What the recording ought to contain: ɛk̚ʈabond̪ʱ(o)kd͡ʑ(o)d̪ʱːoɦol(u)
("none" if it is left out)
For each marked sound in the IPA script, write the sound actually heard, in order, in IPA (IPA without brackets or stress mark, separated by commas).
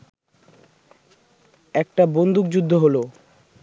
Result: u, u, o